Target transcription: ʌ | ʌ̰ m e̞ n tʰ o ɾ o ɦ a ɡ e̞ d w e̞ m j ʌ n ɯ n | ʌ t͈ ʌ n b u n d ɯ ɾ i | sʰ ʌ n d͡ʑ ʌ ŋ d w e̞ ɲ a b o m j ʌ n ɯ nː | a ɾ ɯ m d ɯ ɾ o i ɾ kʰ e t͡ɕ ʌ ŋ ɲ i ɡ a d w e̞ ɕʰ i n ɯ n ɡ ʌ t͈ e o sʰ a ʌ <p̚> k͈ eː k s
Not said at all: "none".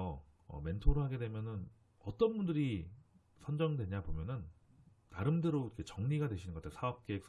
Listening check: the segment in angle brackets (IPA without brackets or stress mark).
p̚